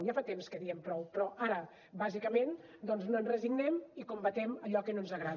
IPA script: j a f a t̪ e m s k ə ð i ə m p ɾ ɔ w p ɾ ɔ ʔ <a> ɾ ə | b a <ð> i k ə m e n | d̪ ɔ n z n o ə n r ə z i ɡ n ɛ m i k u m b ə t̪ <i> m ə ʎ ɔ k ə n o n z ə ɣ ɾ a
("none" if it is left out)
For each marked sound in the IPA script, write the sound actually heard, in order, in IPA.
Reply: a, z, ɛ

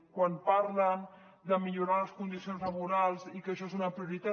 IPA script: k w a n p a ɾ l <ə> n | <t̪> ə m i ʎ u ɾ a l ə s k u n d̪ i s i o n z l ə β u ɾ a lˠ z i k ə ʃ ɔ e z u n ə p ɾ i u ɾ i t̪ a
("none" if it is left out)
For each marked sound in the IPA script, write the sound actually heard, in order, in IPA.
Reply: ə, d̪

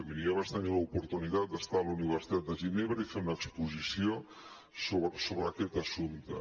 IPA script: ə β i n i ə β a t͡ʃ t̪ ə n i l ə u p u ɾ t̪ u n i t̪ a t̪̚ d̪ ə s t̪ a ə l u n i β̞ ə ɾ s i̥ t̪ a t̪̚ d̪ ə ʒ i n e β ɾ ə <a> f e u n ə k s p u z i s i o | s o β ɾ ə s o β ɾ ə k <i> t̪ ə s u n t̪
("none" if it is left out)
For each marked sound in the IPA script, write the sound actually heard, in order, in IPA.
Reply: i, ɛ

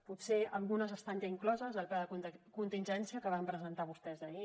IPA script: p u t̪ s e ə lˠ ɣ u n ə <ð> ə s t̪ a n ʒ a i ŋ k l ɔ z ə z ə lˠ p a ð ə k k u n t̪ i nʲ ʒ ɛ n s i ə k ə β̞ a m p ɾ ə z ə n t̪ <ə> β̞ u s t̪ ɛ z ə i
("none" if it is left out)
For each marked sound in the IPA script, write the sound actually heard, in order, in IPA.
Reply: z, a

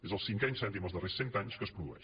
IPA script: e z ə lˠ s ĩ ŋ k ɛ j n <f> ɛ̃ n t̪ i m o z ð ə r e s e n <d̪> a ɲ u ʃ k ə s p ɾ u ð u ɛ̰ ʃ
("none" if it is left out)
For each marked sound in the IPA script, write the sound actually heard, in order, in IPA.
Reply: s, t̪

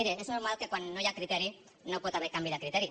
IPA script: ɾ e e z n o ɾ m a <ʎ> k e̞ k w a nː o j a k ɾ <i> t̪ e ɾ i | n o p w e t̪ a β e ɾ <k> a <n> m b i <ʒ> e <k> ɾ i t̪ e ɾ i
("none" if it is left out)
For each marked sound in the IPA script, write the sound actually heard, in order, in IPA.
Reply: l, i, k, none, ð, k

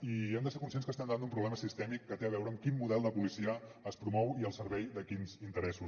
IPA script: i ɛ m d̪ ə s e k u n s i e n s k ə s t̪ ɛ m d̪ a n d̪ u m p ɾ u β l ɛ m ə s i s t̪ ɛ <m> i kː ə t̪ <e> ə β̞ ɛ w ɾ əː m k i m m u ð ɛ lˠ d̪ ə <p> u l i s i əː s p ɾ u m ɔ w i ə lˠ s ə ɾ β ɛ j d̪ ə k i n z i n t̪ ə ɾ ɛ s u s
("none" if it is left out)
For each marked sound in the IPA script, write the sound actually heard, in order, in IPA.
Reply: m, e, p

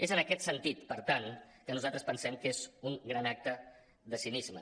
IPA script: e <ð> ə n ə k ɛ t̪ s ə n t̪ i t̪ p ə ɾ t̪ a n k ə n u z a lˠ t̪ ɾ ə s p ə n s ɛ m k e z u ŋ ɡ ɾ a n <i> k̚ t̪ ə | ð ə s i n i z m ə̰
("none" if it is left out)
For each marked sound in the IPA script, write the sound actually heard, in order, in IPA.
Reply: z, a

